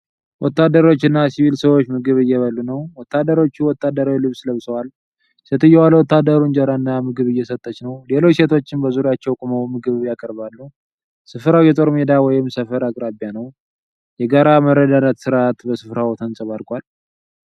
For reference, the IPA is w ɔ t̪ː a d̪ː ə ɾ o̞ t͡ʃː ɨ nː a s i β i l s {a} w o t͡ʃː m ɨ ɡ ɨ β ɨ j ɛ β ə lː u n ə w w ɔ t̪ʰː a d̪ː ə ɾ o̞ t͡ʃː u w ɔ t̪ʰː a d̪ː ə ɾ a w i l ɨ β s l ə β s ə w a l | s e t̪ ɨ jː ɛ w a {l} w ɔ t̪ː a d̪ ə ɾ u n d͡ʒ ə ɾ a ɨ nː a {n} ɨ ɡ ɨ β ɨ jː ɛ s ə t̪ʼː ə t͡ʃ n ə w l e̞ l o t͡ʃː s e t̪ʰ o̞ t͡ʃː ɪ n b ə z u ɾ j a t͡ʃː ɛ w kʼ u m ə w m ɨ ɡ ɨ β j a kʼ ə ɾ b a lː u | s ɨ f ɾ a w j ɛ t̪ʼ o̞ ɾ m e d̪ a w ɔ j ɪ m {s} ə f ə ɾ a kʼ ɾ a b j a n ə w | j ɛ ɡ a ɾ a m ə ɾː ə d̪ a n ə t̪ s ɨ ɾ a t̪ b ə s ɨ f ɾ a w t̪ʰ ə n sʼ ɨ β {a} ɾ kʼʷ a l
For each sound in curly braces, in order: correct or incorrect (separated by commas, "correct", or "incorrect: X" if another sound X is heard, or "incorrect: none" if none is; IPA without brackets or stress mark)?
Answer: incorrect: ə, correct, incorrect: m, correct, correct